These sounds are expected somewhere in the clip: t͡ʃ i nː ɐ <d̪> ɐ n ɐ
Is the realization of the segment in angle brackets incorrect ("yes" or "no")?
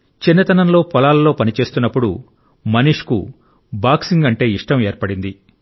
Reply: yes